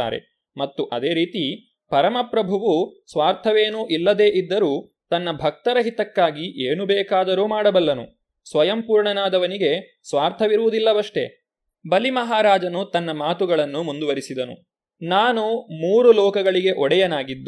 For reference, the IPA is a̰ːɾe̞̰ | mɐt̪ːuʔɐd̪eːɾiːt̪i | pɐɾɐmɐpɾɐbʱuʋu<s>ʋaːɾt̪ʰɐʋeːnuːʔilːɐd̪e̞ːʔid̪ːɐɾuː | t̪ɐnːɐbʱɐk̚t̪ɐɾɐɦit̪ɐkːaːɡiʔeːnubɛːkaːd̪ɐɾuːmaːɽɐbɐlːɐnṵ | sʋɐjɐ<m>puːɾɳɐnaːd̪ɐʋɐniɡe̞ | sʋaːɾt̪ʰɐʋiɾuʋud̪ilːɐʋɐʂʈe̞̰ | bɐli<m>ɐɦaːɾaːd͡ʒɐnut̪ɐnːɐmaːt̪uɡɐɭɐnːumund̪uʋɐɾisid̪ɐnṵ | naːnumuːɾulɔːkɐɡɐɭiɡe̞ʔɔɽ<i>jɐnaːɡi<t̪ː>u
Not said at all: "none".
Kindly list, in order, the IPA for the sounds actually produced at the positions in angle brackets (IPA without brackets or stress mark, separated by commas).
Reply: s, m, m, ɛ, d̪ː